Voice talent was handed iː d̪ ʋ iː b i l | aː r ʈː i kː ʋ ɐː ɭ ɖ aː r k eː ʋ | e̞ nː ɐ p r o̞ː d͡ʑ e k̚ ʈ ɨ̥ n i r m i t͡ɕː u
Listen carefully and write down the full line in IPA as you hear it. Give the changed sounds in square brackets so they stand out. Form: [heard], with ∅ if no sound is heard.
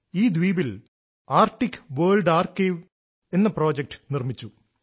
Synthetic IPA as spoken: iː d̪ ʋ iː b i l | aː r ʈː i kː ʋ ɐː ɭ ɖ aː r k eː ʋ | e̞ nː ɐ p r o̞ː d͡ʑ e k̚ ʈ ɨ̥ n i r m i t͡ɕː u